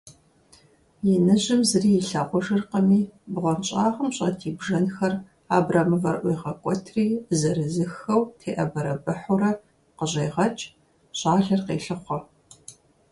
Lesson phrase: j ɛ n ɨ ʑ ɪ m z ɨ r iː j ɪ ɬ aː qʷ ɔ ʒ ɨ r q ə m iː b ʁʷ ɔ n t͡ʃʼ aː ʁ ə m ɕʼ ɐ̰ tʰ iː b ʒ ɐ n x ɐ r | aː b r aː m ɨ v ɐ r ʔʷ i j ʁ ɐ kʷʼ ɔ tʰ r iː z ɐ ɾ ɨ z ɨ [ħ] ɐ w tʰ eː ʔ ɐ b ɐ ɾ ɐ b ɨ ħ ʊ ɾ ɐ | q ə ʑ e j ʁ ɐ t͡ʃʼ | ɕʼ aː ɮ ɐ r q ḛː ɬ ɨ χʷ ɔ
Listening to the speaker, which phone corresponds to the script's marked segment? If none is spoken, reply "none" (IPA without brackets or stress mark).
x